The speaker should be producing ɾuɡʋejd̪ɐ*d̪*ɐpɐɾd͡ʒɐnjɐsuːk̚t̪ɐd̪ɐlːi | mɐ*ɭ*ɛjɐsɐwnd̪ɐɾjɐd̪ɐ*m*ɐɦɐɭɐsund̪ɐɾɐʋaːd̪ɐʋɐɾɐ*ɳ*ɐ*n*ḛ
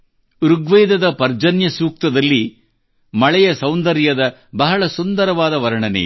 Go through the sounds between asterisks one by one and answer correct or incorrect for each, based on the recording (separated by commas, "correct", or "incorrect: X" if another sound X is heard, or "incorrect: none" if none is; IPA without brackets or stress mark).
correct, correct, incorrect: b, correct, correct